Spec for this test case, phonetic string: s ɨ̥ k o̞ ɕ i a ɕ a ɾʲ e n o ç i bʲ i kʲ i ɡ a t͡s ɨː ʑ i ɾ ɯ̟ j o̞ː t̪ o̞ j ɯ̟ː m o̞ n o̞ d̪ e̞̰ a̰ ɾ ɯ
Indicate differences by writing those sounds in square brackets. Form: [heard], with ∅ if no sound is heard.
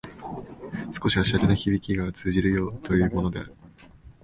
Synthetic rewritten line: s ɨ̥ k o̞ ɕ i a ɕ a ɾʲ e n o ç i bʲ i kʲ i ɡ a t͡s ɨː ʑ i ɾ ɯ̟ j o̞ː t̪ o̞ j ɯ̟ː m o̞ n o̞ d̪ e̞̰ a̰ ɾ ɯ